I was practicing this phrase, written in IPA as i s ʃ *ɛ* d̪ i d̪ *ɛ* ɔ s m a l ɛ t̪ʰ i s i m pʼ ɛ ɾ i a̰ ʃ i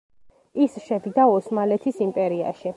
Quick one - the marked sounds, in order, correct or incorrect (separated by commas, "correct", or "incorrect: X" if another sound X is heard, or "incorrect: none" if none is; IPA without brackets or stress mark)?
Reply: correct, incorrect: a